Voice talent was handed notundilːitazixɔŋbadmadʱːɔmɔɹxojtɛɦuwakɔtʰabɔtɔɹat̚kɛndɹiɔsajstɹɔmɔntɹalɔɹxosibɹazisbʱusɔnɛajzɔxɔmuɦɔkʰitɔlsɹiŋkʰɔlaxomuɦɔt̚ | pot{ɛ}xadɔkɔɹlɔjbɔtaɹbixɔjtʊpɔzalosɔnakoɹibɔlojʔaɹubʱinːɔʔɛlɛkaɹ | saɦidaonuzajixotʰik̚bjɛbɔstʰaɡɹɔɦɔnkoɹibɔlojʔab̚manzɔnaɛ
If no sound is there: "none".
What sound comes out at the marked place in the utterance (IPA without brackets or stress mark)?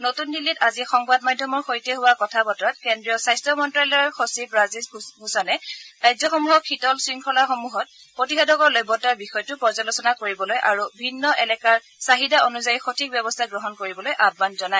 i